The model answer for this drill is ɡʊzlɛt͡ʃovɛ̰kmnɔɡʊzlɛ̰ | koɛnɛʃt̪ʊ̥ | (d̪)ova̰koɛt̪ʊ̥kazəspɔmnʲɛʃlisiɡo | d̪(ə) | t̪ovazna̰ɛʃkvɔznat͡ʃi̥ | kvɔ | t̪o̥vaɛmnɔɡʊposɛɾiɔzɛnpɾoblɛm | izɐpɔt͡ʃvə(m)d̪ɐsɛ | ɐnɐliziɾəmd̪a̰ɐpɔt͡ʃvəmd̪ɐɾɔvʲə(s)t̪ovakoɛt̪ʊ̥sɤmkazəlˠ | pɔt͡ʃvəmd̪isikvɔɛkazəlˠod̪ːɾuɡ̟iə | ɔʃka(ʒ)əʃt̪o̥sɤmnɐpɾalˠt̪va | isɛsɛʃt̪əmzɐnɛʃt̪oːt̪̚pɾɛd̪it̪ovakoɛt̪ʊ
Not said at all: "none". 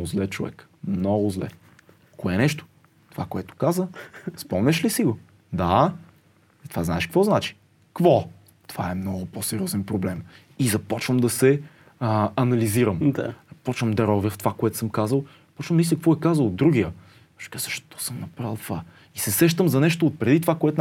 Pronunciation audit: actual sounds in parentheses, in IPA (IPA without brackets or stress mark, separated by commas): t̪, a, m, f, z